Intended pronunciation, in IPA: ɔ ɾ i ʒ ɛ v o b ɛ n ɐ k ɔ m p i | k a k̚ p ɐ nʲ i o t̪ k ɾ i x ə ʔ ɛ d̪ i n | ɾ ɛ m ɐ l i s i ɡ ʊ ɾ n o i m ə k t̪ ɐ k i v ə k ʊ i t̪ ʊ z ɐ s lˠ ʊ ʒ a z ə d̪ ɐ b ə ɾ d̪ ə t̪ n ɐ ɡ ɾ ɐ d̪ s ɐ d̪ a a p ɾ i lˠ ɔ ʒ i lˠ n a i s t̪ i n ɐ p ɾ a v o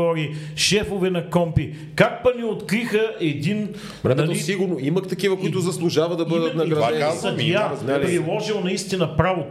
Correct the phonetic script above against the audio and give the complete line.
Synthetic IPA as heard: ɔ ɾ i ʃ ɛ f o v ɛ n ɐ k ɔ m p i | k a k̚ p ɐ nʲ i o t̪ k ɾ i x ə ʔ ɛ d̪ i n | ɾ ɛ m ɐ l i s i ɡ ʊ ɾ n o i m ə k t̪ ɐ k i v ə k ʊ i t̪ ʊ z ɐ s lˠ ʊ ʒ a v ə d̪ ɐ b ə d̪ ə t̪ n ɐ ɡ ɾ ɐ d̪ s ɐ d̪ a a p ɾ i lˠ ɔ ʒ i lˠ n ɐ i s t̪ i n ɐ p ɾ a v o